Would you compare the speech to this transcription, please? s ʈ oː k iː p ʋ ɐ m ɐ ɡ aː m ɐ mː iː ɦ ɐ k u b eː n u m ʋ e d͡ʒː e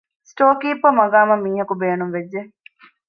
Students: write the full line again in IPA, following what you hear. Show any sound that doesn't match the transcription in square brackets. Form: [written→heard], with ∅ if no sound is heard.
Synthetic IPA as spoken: s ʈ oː k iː p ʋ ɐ m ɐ ɡ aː m ɐ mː iː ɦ ɐ k u b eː n u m ʋ e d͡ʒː e

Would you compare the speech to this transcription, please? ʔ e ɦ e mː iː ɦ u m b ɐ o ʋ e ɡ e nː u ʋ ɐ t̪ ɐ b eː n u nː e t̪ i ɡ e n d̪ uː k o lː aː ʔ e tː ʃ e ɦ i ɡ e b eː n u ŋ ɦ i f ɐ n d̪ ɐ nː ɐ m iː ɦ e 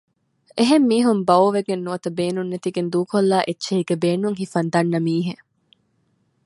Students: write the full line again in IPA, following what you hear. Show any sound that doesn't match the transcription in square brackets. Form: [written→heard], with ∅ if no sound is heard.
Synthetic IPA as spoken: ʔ e ɦ e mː iː ɦ u m b ɐ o ʋ e ɡ e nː u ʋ ɐ t̪ ɐ b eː n u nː e t̪ i ɡ e n d̪ uː k o lː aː ʔ e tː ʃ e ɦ i ɡ e b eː n u ŋ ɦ i f ɐ n d̪ ɐ nː ɐ m iː ɦ e

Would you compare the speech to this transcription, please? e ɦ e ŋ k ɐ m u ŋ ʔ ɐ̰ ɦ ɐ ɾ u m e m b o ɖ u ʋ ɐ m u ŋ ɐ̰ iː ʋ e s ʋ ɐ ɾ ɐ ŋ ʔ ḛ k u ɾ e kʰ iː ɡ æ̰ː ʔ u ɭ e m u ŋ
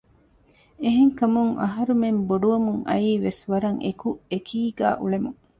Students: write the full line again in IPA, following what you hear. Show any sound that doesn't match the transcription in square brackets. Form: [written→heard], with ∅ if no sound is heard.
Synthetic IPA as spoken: e ɦ e ŋ k ɐ m u ŋ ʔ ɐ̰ ɦ ɐ ɾ u m e m b o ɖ u ʋ ɐ m u ŋ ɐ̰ iː ʋ e s ʋ ɐ ɾ ɐ ŋ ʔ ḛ k u [ɾ→∅] e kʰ iː ɡ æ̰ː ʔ u ɭ e m u ŋ

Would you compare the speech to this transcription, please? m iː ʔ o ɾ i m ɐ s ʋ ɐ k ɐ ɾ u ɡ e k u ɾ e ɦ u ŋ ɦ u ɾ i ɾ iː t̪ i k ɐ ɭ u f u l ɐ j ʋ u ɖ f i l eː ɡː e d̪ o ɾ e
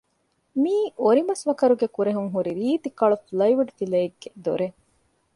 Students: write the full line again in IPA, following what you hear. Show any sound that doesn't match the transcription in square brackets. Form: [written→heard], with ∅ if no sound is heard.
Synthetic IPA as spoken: m iː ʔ o ɾ i m ɐ s ʋ ɐ k ɐ ɾ u ɡ e k u ɾ e ɦ u ŋ ɦ u ɾ i ɾ iː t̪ i k ɐ ɭ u f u l ɐ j ʋ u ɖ f i l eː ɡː e d̪ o ɾ e

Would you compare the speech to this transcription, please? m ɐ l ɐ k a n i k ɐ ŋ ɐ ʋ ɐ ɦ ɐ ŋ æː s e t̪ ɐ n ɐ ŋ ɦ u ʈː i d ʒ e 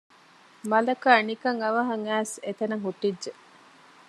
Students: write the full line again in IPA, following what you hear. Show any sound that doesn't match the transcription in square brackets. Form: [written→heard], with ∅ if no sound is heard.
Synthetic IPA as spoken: m ɐ l ɐ k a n i k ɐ ŋ ɐ ʋ ɐ ɦ ɐ ŋ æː s e t̪ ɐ n ɐ ŋ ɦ u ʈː i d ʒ e

